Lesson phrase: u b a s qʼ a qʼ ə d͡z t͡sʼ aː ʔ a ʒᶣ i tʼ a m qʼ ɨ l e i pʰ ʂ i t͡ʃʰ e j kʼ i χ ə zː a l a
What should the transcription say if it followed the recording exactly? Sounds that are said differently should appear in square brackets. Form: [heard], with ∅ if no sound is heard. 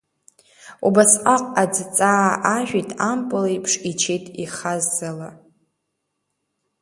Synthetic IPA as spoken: u b a s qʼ a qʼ [a] d͡z t͡sʼ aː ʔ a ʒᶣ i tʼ a m [pʼ] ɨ l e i pʰ ʂ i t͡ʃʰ e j [tʼ] i χ [a] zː a l a